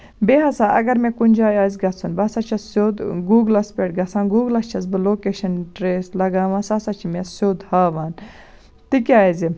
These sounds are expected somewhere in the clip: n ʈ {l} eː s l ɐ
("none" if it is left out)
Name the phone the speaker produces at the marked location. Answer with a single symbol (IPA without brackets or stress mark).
ɾ